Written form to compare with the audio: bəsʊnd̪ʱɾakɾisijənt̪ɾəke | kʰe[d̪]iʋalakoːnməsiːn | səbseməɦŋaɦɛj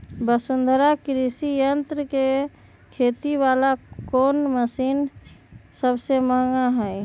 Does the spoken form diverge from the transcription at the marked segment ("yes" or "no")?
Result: yes